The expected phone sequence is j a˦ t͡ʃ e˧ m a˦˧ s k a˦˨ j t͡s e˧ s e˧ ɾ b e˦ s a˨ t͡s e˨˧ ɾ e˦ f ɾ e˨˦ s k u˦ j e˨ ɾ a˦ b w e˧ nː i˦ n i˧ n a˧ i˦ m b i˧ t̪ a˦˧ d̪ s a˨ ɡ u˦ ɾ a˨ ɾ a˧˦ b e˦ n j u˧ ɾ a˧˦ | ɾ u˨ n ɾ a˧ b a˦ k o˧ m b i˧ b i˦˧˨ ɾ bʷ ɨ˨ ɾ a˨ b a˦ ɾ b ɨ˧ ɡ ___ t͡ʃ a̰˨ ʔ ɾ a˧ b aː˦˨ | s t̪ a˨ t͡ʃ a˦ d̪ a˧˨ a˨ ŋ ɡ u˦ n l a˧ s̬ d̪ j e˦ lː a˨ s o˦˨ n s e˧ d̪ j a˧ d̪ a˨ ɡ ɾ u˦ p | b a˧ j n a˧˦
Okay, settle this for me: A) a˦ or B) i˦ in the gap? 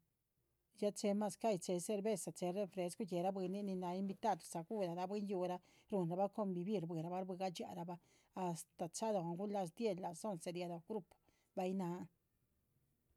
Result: A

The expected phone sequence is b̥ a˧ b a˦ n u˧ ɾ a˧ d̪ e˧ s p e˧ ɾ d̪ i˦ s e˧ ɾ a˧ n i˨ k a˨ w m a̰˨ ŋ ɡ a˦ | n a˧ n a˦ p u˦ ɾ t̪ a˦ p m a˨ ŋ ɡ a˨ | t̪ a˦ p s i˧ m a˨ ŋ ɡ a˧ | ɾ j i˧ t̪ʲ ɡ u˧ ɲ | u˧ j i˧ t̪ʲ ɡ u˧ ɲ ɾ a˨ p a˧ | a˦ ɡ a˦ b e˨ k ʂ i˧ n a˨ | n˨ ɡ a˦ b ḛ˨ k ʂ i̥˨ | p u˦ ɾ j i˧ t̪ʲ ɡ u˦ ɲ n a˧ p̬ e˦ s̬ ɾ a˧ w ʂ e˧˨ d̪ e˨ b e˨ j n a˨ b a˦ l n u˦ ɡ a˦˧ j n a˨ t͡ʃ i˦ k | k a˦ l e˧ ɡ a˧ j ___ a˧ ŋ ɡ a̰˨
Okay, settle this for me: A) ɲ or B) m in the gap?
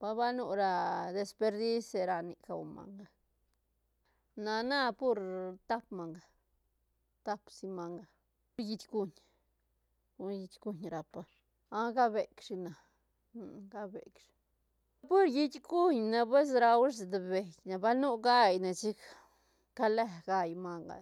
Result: B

